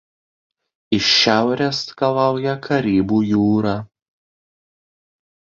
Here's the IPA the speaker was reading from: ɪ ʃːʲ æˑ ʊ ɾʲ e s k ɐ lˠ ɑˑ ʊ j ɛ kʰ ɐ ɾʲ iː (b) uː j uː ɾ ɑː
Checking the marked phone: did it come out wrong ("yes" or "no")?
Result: no